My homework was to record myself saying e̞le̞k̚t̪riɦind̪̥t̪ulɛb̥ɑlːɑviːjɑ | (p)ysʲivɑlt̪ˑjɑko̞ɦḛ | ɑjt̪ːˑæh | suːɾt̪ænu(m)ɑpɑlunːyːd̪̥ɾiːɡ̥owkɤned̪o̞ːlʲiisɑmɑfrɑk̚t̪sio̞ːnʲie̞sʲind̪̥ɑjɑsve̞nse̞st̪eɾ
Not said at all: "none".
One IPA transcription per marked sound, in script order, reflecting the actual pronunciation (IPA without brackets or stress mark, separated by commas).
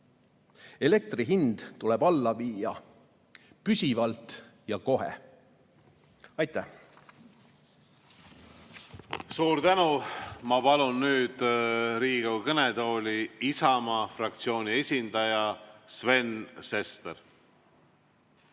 p, m